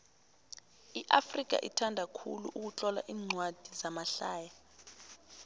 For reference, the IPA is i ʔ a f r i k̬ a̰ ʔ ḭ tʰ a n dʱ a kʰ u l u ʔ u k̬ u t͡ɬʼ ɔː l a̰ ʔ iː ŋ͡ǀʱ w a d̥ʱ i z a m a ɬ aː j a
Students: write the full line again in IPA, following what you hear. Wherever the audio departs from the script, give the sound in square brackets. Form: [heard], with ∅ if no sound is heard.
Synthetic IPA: i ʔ a f r i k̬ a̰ ʔ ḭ tʰ a n dʱ a kʰ u l u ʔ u k̬ u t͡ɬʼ [ɔ] l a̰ ʔ iː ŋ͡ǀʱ w a d̥ʱ i z a m a ɬ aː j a

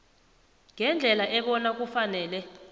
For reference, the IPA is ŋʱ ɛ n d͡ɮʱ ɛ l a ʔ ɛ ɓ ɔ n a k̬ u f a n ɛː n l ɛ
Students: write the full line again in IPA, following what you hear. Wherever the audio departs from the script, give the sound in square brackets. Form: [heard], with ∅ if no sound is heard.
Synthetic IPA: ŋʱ ɛ n d͡ɮʱ ɛ l a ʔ ɛ ɓ ɔ n a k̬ u f a n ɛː [∅] l ɛ

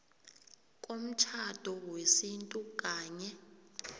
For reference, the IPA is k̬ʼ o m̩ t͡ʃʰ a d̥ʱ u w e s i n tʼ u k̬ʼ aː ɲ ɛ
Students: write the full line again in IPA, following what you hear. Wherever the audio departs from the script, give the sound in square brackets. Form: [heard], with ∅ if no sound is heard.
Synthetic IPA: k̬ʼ o m̩ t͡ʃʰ a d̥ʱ [ɔ] w e s i n tʼ u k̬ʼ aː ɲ ɛ

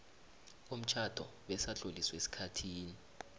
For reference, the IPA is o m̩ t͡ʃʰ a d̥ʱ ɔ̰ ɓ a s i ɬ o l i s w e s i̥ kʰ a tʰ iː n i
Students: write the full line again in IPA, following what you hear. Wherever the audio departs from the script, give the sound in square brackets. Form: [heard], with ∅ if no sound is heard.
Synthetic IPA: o m̩ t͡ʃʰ a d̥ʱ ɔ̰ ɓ [ɛ] s [a] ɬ o l i s w e s i̥ kʰ a tʰ iː n i

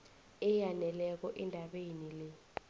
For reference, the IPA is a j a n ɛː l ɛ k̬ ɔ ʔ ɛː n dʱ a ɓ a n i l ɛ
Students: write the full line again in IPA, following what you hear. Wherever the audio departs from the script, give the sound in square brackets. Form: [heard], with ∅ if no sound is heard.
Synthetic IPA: [ɛ] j a n [ɛ] l ɛ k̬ ɔ ʔ [ɛ] n dʱ a ɓ [e] n i l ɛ

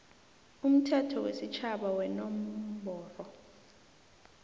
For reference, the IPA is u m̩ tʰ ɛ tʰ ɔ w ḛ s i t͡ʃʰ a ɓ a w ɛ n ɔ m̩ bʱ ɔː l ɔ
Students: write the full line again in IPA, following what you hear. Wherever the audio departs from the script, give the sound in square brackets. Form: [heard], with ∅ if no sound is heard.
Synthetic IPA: u m̩ tʰ ɛ tʰ ɔ w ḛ s i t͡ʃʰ a ɓ a w ɛ n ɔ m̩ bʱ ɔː [r] ɔ

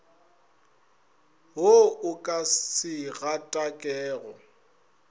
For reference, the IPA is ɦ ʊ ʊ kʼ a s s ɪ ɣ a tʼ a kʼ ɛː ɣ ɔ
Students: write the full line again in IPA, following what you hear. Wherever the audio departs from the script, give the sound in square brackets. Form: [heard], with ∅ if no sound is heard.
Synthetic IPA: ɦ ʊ ʊ kʼ a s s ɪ ɣ a tʼ a kʼ ɛː ɣ ɔ

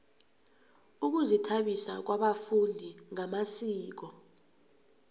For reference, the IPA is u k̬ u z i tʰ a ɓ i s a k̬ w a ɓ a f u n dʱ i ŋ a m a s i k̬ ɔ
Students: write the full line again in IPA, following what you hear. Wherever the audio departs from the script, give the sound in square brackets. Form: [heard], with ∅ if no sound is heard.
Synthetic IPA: u k̬ u z i tʰ a ɓ i s a k̬ w a ɓ a f u n dʱ i ŋ a m a s [iː] k̬ ɔ

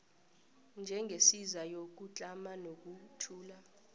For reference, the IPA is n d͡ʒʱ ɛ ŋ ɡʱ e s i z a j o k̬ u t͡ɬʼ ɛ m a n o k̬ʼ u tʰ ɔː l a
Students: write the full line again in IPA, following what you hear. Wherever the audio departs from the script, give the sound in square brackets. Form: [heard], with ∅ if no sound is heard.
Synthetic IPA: n d͡ʒʱ ɛ ŋ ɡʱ e s i z a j o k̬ u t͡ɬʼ [a] m a n o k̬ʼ u tʰ [uː] l a

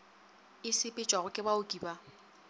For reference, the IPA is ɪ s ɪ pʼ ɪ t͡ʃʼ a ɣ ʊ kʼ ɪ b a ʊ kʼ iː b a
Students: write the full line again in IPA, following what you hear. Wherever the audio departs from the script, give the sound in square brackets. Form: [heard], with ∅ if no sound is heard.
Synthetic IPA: ɪ s ɪ pʼ ɪ t͡ʃʼ a ɣ ʊ kʼ ɪ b a ʊ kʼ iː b a

